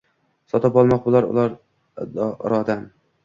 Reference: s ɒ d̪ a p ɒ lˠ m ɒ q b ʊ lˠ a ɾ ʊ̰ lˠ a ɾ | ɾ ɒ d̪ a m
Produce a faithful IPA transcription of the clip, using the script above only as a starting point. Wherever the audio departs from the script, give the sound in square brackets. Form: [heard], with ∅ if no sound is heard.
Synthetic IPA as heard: s ɒ [t̪] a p ɒ lˠ m ɒ q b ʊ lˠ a ɾ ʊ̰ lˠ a ɾ | ɾ ɒ d̪ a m